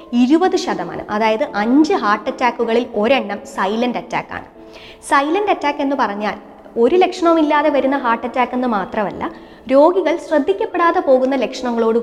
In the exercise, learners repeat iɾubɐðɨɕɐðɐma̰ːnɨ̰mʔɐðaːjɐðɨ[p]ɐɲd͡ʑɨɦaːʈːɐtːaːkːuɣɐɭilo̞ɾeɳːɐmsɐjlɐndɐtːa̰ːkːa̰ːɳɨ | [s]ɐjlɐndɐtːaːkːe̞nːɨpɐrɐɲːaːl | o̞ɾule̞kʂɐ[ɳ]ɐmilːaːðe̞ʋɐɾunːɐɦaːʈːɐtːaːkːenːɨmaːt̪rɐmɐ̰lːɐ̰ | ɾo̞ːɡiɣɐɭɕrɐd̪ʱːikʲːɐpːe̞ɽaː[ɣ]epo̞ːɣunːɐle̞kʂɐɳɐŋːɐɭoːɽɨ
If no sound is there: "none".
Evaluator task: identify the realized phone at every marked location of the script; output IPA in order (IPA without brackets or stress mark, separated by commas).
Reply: ʔ, s, ɳ, ð